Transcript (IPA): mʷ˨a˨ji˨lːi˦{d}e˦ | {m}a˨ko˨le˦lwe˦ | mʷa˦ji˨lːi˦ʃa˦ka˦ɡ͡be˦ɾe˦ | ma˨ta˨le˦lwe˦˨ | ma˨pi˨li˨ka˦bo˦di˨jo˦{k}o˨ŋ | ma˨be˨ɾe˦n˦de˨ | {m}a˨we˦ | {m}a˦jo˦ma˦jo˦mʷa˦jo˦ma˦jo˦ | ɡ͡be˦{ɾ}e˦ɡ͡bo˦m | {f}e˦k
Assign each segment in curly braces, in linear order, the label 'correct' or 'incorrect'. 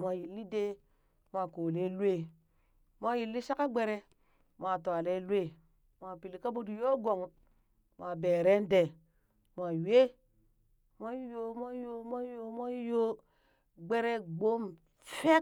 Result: correct, correct, incorrect: ɡ, correct, correct, correct, correct

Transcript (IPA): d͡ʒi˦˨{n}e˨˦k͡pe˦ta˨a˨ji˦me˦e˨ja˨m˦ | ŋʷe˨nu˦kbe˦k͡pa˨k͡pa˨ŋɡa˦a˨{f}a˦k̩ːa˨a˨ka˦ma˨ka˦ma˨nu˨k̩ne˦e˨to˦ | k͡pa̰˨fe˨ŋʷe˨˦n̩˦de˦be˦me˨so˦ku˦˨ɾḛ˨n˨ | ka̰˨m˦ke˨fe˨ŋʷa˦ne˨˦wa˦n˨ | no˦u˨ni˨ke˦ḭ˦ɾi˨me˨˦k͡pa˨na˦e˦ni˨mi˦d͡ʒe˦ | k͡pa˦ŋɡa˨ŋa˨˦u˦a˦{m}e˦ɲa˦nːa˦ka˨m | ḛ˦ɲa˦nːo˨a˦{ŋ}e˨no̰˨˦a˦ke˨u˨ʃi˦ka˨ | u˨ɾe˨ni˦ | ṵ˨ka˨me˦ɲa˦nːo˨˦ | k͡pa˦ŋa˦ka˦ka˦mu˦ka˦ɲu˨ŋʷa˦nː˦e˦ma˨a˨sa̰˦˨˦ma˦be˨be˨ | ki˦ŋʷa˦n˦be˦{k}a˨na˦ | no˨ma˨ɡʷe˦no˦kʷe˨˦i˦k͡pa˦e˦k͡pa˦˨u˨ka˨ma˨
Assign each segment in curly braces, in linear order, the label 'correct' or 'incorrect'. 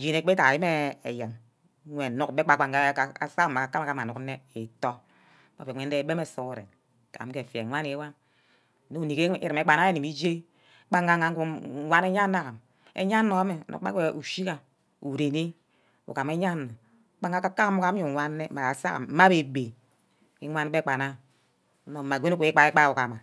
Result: correct, incorrect: s, incorrect: n, incorrect: m, incorrect: k͡p

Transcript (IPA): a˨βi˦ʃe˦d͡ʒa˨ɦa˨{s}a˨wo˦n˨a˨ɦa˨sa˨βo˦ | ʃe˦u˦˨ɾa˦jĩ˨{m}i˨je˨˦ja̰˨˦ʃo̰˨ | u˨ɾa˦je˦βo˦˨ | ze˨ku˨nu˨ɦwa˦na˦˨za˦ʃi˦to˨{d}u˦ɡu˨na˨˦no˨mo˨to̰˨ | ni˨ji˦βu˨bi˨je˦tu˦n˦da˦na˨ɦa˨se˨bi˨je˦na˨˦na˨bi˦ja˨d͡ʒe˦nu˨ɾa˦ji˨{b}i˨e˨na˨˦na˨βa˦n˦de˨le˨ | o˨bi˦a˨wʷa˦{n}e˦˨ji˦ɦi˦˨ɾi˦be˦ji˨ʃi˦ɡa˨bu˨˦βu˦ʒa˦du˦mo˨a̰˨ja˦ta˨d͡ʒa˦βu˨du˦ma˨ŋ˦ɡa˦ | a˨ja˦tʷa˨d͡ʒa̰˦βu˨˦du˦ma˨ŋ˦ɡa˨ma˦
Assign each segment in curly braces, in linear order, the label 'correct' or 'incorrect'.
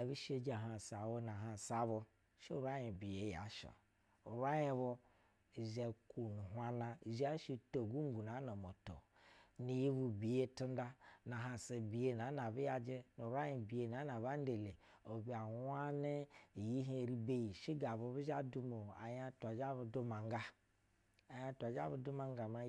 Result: correct, incorrect: b, incorrect: ɡ, correct, correct

